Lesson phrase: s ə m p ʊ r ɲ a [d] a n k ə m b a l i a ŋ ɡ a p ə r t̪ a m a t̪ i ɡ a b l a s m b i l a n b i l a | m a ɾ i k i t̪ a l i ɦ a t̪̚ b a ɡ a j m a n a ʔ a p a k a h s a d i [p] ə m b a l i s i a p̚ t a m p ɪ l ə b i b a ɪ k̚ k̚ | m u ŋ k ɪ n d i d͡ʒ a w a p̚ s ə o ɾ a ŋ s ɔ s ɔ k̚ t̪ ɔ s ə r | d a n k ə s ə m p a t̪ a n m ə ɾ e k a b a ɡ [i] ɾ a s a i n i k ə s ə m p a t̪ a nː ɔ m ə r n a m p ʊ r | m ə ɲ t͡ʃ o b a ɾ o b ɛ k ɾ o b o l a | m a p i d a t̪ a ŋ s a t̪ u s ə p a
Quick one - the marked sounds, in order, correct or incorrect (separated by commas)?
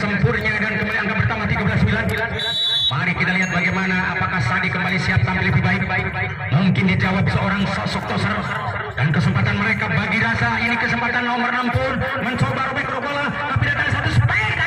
correct, incorrect, correct